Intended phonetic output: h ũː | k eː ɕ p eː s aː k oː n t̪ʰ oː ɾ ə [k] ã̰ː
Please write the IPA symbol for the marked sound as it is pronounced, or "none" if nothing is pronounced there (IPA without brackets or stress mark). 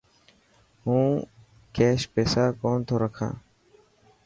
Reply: kʰ